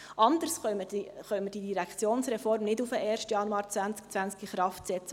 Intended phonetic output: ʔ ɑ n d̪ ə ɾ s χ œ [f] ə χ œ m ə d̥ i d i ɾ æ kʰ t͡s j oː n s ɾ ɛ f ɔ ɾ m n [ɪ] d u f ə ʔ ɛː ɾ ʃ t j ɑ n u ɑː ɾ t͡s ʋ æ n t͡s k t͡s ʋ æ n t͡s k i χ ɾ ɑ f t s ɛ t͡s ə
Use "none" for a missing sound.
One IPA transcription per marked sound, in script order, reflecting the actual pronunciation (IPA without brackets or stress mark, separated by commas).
none, ɪ